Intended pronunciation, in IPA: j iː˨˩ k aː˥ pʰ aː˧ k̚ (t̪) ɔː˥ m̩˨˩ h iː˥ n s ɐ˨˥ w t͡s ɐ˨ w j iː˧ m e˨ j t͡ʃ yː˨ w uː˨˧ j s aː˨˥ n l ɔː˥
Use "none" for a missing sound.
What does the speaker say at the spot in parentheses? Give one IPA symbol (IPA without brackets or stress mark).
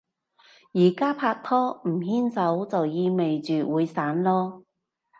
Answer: t̪ʰ